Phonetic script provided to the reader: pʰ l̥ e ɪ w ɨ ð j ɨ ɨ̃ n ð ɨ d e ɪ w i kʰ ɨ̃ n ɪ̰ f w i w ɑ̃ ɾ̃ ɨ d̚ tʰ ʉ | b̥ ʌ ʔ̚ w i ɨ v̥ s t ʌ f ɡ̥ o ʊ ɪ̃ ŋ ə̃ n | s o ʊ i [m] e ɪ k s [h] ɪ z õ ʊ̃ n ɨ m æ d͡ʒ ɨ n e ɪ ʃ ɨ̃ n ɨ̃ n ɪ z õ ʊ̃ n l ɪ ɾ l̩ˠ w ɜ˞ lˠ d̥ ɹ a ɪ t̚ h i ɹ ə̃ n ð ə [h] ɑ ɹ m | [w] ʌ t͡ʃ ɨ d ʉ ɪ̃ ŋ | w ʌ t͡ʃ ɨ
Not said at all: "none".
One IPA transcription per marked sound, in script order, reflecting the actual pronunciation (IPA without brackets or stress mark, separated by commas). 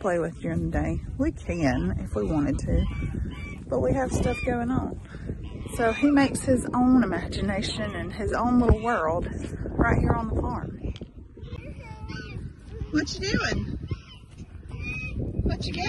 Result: m, h, f, w